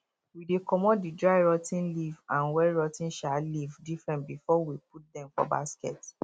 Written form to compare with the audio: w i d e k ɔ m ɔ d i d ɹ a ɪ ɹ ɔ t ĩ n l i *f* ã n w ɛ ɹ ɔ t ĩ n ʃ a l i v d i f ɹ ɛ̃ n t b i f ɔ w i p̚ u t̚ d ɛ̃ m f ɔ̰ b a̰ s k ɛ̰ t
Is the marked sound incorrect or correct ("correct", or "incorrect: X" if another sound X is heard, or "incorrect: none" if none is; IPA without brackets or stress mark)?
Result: incorrect: v